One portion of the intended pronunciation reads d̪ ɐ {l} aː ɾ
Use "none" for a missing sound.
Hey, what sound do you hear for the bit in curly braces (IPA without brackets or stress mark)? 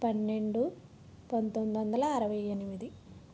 l